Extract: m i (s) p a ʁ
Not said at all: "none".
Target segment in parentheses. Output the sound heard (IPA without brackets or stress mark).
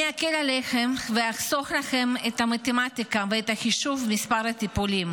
s